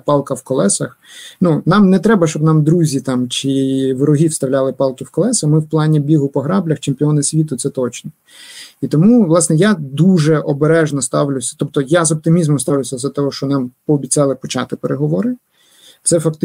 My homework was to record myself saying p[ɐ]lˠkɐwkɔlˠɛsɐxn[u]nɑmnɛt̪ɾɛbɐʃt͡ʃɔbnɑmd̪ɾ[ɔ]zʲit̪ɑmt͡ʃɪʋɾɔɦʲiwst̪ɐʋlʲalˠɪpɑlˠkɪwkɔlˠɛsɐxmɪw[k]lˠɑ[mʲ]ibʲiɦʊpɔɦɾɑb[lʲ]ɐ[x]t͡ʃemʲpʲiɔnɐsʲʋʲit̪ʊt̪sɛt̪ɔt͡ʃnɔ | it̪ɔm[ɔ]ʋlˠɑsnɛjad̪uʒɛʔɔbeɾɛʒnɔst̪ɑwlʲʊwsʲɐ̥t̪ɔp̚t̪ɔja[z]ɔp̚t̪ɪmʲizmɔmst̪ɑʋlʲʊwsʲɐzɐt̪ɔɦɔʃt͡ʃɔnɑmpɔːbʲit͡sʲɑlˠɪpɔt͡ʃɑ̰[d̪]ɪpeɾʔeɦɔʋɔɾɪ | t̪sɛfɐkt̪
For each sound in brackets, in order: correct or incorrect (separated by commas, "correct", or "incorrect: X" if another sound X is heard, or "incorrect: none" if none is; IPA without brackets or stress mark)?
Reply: incorrect: ɑ, correct, incorrect: u, incorrect: p, incorrect: nʲ, correct, correct, incorrect: u, correct, incorrect: t̪